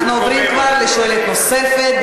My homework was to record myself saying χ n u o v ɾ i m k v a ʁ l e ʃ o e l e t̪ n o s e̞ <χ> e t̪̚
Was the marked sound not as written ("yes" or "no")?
yes